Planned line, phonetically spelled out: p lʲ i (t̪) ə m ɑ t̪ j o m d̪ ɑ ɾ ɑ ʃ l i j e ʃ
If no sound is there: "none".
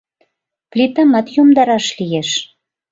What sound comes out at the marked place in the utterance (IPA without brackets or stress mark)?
t̪